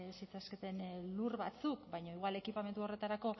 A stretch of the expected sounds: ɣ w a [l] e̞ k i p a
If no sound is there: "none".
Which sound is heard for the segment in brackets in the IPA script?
l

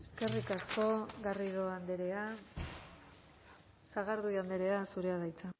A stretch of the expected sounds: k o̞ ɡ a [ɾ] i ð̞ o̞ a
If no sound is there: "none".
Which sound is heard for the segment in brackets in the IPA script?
r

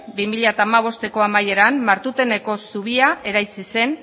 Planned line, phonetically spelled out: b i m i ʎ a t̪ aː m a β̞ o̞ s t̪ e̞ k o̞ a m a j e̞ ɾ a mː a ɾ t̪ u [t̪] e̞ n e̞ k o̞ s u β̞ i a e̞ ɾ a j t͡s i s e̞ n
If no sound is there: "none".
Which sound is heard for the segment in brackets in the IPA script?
t̪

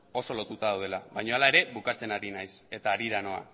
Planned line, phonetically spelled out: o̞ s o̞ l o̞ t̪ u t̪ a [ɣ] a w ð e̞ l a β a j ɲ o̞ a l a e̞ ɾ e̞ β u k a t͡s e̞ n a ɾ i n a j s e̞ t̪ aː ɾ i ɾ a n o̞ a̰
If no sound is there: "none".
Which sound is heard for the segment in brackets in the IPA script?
ð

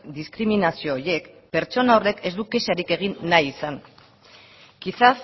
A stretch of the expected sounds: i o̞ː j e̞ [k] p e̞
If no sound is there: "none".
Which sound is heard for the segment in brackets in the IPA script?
k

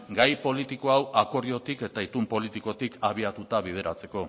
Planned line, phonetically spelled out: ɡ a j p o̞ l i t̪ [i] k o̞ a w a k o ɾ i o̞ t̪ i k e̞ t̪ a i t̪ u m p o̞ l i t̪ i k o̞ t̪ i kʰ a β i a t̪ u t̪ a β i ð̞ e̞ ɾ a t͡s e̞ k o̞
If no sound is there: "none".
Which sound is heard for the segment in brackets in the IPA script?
i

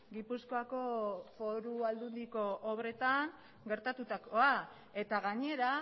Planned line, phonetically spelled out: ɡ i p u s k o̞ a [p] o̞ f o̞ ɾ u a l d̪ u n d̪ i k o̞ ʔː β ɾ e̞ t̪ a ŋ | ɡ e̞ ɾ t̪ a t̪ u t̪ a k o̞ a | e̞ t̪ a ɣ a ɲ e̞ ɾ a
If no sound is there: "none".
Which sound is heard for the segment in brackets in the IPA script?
k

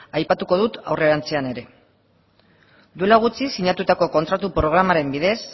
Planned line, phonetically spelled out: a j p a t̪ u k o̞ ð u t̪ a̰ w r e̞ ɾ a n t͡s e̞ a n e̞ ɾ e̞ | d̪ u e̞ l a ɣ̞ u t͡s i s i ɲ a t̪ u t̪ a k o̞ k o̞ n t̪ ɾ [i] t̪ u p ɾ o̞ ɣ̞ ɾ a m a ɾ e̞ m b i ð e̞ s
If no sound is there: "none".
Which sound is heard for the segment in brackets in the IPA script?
a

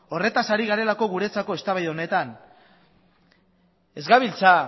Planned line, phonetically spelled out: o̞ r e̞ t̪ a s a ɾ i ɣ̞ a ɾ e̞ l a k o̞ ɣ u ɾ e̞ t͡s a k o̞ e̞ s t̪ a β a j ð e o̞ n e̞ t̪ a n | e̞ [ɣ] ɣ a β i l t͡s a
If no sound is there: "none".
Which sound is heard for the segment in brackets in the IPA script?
z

